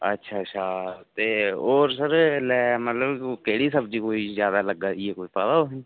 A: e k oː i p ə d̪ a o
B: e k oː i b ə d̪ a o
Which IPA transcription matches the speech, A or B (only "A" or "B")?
A